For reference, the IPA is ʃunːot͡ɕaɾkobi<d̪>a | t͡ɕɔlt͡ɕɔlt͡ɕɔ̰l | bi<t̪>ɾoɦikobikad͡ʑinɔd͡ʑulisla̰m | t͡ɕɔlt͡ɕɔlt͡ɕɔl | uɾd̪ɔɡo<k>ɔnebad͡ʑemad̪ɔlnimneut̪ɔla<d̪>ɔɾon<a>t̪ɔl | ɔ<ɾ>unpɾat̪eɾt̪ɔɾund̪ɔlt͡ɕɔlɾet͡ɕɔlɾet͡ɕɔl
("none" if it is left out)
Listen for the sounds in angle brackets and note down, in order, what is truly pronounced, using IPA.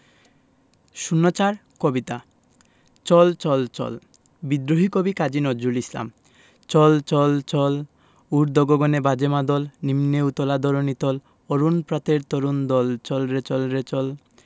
t̪, d̪, ɡ, d̪, i, ɾ

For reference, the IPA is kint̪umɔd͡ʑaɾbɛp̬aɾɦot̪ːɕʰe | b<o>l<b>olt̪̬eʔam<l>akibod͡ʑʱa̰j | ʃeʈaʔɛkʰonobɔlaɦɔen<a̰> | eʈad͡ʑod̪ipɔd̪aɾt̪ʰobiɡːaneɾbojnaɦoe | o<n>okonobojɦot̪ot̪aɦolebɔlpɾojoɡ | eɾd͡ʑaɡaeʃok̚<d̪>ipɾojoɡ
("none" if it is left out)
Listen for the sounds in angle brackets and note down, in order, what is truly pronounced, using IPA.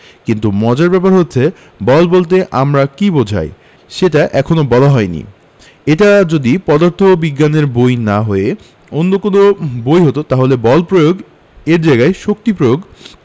ɔ, b, ɾ, ḭ, nː, t̪

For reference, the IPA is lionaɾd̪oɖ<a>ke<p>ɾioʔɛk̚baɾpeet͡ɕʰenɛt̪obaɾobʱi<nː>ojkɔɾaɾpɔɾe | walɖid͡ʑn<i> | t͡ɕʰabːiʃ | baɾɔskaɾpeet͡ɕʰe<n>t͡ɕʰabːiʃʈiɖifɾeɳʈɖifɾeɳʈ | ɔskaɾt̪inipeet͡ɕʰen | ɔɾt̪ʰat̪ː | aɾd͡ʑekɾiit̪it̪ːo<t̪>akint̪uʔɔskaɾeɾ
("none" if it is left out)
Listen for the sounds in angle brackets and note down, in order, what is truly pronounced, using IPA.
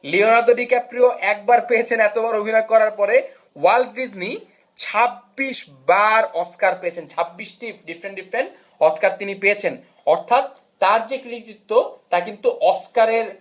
i, p, n, i, n, t̪

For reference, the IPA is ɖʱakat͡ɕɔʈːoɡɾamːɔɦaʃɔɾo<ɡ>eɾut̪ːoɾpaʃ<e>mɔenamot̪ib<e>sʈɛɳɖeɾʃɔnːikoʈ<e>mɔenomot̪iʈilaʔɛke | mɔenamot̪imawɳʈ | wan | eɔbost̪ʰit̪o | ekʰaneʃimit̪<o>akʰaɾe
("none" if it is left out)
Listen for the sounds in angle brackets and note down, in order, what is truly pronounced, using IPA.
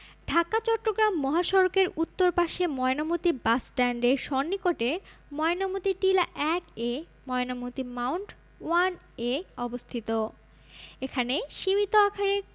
k, e, a, e, o

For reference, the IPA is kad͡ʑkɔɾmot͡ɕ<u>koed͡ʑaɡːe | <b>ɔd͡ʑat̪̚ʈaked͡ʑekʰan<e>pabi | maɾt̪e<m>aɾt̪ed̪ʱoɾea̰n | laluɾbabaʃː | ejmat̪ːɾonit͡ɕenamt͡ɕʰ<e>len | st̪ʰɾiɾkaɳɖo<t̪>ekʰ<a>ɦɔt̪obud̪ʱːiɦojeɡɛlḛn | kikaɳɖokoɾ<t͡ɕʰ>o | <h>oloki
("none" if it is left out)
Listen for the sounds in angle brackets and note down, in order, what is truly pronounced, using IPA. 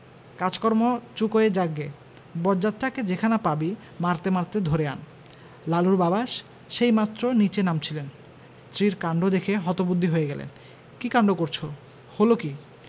u, b, a, m, i, d̪, e, t͡ɕʰ, h

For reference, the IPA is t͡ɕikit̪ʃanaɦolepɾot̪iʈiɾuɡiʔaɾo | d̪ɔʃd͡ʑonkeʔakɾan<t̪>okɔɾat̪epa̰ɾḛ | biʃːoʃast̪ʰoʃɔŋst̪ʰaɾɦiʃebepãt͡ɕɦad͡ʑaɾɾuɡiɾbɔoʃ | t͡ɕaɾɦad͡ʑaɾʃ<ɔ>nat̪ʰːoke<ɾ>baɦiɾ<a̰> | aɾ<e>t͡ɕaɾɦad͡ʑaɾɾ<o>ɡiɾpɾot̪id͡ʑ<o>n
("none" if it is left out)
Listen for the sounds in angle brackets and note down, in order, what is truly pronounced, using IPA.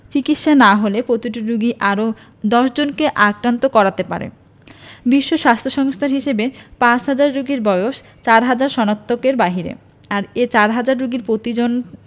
t̪, ɔ, ɾ, ḛ, e, u, o

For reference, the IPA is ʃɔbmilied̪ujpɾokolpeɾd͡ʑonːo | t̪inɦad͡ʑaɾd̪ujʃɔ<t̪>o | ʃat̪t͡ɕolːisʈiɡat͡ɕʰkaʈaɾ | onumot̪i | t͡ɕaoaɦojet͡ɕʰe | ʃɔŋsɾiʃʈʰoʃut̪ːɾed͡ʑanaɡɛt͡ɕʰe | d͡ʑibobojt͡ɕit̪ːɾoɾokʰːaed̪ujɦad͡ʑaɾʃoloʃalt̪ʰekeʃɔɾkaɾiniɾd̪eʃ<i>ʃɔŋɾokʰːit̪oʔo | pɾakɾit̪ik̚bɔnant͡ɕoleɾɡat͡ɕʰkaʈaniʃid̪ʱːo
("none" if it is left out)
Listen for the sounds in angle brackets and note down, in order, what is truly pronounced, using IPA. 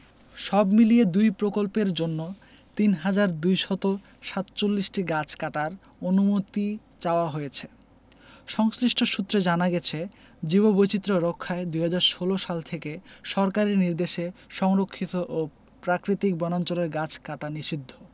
t̪, e

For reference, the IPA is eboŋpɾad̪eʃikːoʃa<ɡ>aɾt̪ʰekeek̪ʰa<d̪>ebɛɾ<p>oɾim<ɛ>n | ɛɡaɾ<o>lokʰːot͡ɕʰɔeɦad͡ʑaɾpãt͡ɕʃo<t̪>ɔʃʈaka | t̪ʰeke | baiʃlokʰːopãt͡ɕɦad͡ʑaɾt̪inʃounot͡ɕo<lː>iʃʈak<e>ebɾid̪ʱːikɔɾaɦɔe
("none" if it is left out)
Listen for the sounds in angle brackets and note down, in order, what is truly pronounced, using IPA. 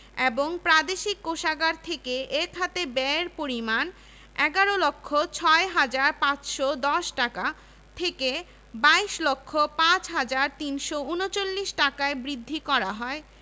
ɡ, t̪, p, a, o, d̪, lː, a

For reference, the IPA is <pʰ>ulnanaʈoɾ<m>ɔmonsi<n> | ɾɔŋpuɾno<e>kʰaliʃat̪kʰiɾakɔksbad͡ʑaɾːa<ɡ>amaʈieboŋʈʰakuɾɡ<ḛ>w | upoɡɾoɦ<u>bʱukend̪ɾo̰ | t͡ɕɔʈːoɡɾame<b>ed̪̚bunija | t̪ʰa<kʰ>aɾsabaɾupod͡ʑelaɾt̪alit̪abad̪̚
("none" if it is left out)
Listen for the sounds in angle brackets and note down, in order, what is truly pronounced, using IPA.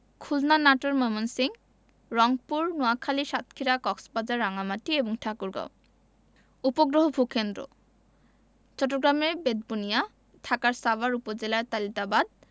kʰ, m, ŋ, a, ŋ, a̰, o, b, k

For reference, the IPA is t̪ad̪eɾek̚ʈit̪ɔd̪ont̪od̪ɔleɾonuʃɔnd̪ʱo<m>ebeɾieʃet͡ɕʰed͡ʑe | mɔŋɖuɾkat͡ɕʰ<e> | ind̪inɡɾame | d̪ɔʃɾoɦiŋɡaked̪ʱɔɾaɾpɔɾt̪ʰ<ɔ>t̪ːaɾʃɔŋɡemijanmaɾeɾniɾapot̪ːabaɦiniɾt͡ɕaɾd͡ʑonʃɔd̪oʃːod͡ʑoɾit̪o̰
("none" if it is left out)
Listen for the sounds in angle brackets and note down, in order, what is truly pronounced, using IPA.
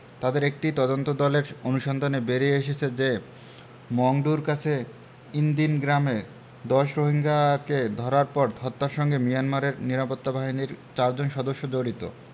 n, e, ɔ

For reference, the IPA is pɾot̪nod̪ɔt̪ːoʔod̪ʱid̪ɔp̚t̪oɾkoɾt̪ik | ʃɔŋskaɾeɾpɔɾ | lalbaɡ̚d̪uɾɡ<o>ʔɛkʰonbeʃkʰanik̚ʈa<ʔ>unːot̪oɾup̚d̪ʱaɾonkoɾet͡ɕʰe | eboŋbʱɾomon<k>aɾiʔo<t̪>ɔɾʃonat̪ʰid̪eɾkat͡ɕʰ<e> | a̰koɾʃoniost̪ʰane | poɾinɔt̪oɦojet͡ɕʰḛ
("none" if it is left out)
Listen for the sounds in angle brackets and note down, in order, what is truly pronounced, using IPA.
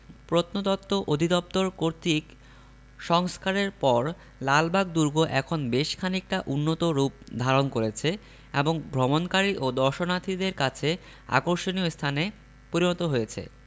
o, ʔ, k, d̪, e

